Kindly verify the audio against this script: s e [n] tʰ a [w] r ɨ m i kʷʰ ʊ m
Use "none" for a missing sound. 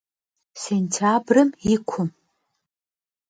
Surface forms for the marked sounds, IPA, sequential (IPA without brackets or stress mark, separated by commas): n, b